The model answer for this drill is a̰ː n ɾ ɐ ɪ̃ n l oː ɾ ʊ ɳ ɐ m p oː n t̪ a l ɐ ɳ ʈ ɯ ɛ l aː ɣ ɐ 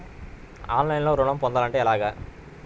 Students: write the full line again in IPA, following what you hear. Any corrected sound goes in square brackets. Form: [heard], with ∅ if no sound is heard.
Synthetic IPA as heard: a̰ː n [l] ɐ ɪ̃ n l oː ɾ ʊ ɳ ɐ m p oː n [d̪] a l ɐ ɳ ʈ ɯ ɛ l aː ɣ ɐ